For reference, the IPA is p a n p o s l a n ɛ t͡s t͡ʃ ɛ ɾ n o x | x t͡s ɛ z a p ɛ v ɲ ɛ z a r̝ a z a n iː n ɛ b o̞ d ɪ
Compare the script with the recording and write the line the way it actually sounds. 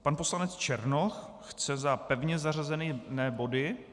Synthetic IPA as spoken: p a n p o s l a n ɛ t͡s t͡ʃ ɛ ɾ n o x | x t͡s ɛ z a p ɛ v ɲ ɛ z a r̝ a z ɛ n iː n ɛː b o̞ d ɪ